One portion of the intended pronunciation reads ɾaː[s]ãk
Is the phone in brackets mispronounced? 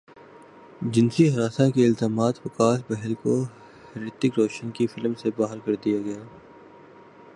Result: no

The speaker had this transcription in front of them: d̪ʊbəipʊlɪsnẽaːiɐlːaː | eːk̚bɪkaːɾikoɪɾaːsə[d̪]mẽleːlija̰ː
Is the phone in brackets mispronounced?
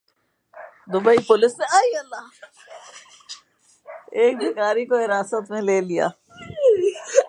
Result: yes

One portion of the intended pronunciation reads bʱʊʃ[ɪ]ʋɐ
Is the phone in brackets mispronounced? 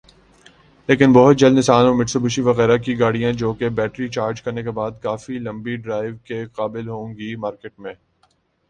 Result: yes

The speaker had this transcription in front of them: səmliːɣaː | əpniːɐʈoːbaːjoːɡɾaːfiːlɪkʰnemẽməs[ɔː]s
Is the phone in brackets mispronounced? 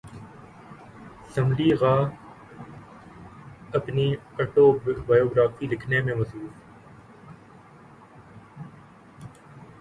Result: yes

